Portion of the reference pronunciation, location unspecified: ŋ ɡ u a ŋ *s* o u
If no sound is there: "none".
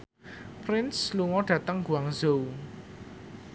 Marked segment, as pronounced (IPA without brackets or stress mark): z